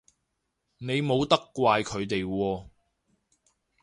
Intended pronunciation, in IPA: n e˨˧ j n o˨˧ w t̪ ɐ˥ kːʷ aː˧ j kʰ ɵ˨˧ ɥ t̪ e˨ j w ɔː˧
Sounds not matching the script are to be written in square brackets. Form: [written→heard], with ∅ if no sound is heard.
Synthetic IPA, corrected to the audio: n e˨˧ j [n→m] o˨˧ w t̪ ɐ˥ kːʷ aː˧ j kʰ ɵ˨˧ ɥ t̪ e˨ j w ɔː˧